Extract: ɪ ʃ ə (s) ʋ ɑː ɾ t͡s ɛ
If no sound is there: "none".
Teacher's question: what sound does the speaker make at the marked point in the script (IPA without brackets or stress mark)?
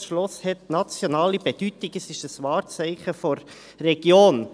s